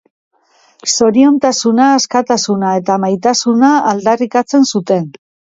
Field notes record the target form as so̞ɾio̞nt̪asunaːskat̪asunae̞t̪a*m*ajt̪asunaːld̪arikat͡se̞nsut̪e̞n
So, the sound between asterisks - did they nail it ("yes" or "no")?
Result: yes